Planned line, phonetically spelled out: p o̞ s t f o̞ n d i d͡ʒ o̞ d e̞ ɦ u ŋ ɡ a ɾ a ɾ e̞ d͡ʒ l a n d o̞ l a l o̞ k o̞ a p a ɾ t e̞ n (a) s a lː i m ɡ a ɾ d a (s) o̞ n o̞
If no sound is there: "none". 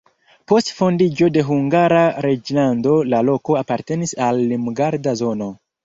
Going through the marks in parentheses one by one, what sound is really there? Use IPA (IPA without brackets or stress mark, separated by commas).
i, z